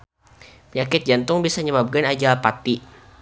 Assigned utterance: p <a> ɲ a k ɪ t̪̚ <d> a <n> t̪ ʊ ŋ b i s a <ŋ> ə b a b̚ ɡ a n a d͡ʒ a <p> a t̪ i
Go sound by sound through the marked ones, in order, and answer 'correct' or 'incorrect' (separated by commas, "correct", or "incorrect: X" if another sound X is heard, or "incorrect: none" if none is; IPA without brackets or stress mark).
incorrect: ə, incorrect: d͡ʒ, correct, incorrect: ɲ, correct